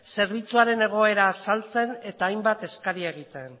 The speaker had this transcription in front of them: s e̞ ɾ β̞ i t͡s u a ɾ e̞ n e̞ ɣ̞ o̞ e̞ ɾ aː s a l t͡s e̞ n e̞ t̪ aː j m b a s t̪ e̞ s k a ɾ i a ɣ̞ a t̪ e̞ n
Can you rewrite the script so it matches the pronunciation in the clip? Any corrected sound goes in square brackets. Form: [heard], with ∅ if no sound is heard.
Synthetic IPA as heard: s e̞ ɾ β̞ i t͡s u a ɾ e̞ n e̞ ɣ̞ o̞ e̞ ɾ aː s a l t͡s e̞ n e̞ t̪ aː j m b a [∅] t̪ e̞ s k a ɾ i [e] ɣ̞ [i] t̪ e̞ n